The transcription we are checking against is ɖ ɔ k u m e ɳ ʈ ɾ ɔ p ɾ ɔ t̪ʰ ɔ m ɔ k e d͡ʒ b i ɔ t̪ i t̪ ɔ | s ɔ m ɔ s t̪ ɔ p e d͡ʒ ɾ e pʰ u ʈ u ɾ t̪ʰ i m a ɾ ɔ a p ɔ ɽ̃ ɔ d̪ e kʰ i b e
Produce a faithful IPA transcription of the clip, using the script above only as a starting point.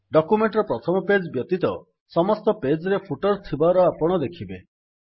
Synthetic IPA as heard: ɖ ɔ k u m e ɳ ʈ ɾ ɔ p ɾ ɔ t̪ʰ ɔ m ɔ p e d͡ʒ b j ɔ t̪ i t̪ ɔ | s ɔ m ɔ s t̪ ɔ p e d͡ʒ ɾ e pʰ u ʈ ɔ ɾ t̪ʰ i b a ɾ ɔ a p ɔ ɽ̃ ɔ d̪ e kʰ i b e